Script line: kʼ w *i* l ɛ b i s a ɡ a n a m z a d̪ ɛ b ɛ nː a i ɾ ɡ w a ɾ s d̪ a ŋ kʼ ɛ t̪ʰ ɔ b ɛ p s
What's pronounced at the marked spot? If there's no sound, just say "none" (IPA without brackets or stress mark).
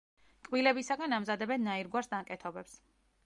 i